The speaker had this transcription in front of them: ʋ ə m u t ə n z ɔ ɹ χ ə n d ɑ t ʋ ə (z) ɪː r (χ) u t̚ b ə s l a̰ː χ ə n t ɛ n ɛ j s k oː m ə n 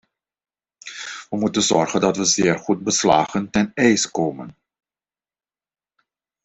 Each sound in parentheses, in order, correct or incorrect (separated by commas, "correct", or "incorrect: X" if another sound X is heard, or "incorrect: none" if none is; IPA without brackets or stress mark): correct, correct